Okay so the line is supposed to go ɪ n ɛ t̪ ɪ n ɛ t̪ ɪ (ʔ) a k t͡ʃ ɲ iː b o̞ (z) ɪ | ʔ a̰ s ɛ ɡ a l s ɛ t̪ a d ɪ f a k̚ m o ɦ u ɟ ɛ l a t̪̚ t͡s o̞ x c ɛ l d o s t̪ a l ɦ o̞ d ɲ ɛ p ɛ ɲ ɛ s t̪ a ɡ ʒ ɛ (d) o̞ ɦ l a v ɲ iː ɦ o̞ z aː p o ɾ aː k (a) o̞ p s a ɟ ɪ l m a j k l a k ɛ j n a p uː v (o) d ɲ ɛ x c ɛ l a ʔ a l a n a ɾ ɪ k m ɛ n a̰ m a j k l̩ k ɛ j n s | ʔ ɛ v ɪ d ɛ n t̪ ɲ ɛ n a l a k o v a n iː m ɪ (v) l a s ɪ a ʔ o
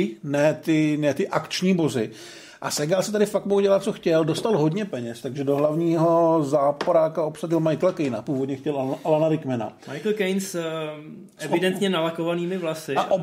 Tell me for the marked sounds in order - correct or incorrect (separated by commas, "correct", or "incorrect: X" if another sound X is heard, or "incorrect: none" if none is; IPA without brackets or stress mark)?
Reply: correct, correct, correct, correct, correct, correct